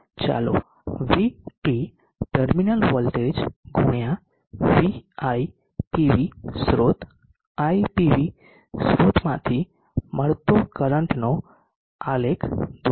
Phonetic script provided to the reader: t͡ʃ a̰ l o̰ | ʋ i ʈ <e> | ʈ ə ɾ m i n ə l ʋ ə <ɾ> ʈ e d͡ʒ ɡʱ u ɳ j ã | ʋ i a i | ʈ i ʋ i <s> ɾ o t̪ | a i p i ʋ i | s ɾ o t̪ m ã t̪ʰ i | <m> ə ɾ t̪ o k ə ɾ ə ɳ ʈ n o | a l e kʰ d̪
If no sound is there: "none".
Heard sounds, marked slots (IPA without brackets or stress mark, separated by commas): i, l, s, m